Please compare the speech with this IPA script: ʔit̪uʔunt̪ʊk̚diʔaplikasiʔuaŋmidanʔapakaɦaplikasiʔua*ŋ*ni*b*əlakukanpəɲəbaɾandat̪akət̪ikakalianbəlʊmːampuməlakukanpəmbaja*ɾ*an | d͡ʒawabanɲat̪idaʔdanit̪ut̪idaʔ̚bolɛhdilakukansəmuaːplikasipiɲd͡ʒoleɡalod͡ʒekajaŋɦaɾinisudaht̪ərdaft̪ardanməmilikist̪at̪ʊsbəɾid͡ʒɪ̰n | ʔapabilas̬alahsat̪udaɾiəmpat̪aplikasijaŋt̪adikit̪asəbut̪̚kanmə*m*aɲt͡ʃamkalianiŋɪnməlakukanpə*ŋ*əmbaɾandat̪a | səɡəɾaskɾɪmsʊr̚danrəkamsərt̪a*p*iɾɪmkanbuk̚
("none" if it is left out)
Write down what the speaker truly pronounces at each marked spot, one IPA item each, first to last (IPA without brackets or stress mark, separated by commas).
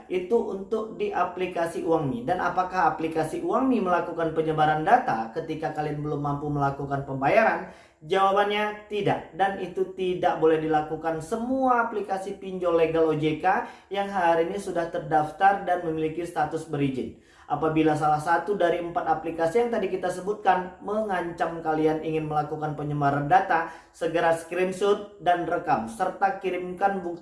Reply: ŋ, m, ɾ, ŋ, ɲ, k